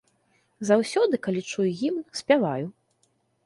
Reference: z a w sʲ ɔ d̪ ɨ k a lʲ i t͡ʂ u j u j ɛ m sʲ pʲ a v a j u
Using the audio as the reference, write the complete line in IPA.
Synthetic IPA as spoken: z a w sʲ ɔ d̪ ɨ k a lʲ i t͡ʂ u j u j i m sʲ pʲ a v a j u